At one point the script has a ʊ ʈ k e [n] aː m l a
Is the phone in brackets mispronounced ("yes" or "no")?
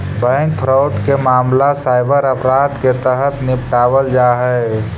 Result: yes